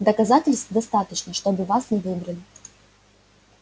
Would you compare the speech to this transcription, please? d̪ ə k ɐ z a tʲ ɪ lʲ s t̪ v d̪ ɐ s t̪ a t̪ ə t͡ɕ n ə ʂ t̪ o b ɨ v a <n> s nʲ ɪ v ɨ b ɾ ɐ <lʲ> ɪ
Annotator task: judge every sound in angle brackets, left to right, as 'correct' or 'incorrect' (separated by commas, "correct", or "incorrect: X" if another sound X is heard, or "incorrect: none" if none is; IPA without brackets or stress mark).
incorrect: none, correct